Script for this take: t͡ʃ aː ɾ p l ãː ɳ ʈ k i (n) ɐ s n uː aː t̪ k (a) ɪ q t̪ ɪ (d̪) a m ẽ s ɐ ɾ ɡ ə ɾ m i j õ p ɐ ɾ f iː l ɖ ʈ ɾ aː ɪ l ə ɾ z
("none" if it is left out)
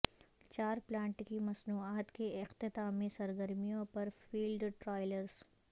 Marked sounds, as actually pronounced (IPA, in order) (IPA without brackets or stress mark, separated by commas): m, e, t̪